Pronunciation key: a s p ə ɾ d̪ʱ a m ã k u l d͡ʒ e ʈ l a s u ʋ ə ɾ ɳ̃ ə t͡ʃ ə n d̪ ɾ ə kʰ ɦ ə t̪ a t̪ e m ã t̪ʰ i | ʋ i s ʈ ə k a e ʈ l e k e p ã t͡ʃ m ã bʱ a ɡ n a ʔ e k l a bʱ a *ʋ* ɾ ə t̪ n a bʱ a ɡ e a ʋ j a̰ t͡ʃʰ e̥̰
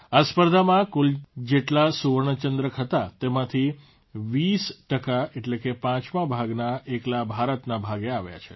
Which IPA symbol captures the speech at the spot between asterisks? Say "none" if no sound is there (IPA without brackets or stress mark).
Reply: none